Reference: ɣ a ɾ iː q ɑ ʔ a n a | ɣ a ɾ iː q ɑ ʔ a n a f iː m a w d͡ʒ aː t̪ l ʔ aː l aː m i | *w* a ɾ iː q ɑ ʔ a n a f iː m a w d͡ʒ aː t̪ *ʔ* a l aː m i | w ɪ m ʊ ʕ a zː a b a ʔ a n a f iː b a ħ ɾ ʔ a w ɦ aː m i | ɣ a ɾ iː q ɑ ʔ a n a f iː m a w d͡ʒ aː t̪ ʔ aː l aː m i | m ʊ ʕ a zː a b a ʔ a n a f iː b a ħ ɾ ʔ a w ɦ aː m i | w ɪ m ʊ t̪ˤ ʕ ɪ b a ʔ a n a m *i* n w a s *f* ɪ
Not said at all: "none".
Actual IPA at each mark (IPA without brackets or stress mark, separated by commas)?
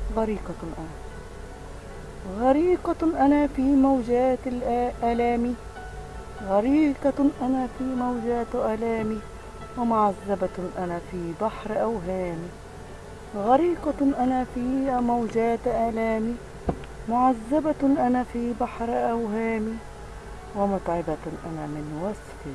ɣ, ʔ, ɪ, f